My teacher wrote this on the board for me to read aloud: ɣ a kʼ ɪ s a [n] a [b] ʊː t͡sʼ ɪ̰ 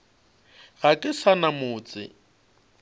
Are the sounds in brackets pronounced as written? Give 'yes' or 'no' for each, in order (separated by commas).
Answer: yes, no